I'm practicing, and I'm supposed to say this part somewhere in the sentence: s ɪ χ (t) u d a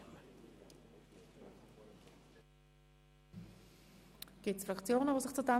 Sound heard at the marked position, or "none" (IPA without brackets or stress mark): t͡s